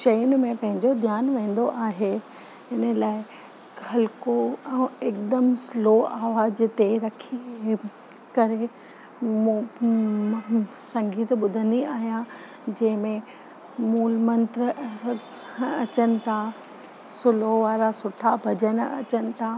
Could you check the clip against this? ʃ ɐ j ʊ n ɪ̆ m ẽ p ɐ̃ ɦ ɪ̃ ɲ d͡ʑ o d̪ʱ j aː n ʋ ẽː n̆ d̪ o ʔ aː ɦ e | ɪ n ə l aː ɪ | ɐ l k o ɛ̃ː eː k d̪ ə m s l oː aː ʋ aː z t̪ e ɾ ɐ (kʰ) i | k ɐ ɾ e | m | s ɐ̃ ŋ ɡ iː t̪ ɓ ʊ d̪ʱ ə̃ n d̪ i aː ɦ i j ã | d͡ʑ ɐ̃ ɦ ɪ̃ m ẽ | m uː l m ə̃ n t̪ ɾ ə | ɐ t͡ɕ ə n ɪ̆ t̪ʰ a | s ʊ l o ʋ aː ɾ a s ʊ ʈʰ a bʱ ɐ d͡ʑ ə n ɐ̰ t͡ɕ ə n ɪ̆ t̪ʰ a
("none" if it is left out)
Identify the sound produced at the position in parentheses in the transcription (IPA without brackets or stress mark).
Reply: kʰ